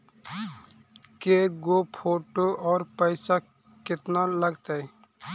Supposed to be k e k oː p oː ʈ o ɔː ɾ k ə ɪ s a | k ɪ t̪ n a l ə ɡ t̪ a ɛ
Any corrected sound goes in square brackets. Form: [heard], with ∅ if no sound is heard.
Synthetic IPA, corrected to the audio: k e [ɡ] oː [pʰ] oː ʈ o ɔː ɾ [p] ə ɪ s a | k ɪ t̪ n a l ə ɡ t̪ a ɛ

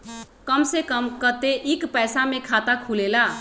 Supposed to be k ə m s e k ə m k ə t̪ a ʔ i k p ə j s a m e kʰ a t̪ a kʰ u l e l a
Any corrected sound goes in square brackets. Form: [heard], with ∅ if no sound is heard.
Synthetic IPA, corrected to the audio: k ə m s e k ə m k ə t̪ [e] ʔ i k p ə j s a m e kʰ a t̪ a kʰ u l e l a

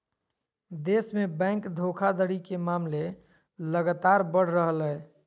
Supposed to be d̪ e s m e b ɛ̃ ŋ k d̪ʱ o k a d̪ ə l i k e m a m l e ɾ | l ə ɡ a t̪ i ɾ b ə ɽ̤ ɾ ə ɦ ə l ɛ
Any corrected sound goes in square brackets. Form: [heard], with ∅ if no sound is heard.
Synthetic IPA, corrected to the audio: d̪ e s m e b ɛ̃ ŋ k d̪ʱ o [kʰ] a d̪ ə [ɽ] i k e m a m l e [∅] | l ə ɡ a t̪ [a] ɾ b ə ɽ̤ ɾ ə ɦ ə l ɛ

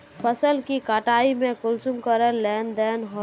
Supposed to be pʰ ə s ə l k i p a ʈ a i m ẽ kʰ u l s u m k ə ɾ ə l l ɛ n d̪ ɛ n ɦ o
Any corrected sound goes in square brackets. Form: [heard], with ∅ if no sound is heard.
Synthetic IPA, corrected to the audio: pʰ ə s ə l k i [k] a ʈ a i m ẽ [k] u l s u m k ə ɾ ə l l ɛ n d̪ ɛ n ɦ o

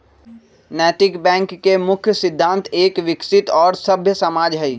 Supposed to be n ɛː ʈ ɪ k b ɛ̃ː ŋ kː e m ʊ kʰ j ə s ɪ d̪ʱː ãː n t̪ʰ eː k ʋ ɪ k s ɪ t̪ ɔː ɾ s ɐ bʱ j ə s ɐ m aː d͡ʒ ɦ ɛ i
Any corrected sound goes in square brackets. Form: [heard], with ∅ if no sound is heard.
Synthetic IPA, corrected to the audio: n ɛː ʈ ɪ k b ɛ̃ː ŋ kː e m ʊ kʰ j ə s ɪ d̪ʱː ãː n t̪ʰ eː k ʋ ɪ k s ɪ t̪ ɔː ɾ s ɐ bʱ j ə s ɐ m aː d͡ʒ ɦ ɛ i

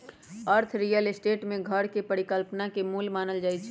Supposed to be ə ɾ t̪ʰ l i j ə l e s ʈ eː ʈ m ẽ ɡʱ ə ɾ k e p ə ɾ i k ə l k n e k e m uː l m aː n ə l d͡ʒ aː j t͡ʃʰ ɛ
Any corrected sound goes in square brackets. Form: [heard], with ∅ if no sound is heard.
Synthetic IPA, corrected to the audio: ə ɾ t̪ʰ [ɾ] i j ə l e s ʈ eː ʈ m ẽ ɡʱ ə ɾ k e p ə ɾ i k ə l [p] n [a] k e m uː l m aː n ə l d͡ʒ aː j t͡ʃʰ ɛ

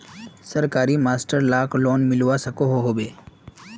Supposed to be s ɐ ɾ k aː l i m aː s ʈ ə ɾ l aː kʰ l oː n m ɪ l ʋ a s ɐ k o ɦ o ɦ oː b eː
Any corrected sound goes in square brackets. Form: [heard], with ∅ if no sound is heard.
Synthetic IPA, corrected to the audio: s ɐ ɾ k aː [ɾ] i m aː s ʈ ə ɾ l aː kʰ l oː n m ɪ l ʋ a s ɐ k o ɦ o ɦ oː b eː

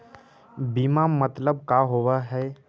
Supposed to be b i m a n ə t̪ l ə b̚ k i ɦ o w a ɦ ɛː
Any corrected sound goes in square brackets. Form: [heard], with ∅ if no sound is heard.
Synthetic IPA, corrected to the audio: b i m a [m] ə t̪ l ə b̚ k [a] ɦ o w a ɦ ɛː

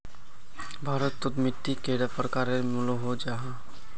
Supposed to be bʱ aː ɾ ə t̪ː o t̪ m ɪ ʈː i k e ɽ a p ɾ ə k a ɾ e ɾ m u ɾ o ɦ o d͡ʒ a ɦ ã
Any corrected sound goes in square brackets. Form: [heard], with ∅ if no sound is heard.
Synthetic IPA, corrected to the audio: bʱ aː ɾ ə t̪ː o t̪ m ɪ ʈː i k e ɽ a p ɾ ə k a ɾ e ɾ m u [l] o ɦ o d͡ʒ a ɦ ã

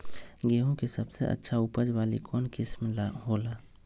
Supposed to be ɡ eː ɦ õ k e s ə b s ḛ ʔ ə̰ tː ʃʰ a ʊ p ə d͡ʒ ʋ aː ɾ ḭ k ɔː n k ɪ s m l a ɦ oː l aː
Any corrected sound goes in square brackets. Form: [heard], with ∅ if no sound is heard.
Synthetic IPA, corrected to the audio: ɡ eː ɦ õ k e s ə b s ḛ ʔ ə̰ tː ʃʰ a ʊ p ə d͡ʒ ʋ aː [l] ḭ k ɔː n k ɪ s m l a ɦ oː l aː

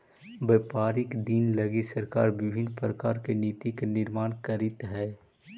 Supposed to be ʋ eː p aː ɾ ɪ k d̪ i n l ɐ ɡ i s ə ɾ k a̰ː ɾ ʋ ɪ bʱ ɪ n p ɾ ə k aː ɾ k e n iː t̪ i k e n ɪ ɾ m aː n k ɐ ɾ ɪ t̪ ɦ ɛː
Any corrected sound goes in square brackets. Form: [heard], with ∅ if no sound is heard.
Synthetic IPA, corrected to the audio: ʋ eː p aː ɾ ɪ k d̪ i n l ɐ ɡ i s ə ɾ k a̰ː ɾ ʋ ɪ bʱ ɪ n p ɾ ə k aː ɾ k e n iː t̪ i k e n ɪ ɾ m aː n k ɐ ɾ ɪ t̪ ɦ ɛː

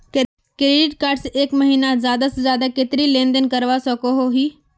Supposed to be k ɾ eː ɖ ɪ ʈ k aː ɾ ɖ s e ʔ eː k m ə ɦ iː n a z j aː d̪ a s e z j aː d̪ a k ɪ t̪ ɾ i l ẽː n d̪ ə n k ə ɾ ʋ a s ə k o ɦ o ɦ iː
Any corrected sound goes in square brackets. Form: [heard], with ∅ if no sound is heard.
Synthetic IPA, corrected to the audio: k ɾ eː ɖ ɪ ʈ k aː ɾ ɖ s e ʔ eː k m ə ɦ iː n a z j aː d̪ a s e z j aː d̪ a k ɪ t̪ ɾ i l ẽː n d̪ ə n k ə ɾ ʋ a s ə k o ɦ o ɦ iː

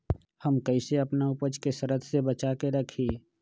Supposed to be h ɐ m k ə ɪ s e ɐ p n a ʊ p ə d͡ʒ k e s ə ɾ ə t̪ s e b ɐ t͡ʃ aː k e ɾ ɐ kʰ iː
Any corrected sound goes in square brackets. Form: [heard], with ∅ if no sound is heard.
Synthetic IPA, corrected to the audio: h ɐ m k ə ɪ s e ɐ p n a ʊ p ə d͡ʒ k e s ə ɾ ə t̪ s e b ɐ t͡ʃ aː k e ɾ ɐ kʰ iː

